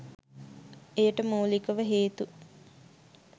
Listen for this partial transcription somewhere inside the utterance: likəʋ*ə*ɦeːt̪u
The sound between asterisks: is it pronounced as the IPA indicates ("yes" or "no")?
yes